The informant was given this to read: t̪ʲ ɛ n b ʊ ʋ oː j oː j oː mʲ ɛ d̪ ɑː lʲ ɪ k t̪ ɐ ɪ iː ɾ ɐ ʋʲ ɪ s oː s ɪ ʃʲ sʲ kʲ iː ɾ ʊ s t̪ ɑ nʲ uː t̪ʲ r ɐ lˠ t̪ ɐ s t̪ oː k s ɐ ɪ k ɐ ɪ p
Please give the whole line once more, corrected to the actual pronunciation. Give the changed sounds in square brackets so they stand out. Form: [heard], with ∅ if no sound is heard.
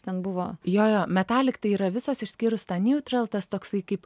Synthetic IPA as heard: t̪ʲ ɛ n b ʊ ʋ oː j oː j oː mʲ ɛ [t̪] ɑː lʲ ɪ k t̪ ɐ ɪ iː ɾ ɐ ʋʲ ɪ s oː s ɪ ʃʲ sʲ kʲ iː ɾ ʊ s t̪ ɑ nʲ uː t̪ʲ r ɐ lˠ t̪ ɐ s t̪ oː k s ɐ ɪ k ɐ ɪ p